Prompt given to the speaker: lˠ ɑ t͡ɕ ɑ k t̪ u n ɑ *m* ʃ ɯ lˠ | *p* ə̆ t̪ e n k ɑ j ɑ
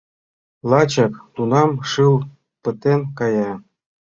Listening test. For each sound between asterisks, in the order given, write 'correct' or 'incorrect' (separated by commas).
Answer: correct, correct